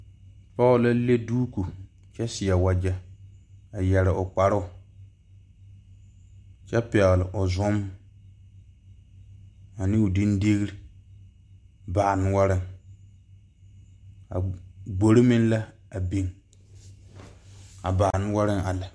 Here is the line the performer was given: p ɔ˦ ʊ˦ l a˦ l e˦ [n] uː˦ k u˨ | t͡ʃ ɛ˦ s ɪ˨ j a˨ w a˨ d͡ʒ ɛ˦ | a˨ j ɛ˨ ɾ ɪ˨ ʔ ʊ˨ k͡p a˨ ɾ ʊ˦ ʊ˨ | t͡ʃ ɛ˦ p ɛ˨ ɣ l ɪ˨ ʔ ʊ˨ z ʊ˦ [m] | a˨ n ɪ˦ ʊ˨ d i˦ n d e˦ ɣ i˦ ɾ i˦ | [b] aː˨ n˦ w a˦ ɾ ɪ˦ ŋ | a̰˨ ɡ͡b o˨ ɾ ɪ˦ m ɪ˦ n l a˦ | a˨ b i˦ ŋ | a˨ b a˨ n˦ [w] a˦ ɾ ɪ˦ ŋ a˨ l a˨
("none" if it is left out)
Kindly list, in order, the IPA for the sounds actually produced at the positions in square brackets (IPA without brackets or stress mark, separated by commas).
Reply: d, m, b, w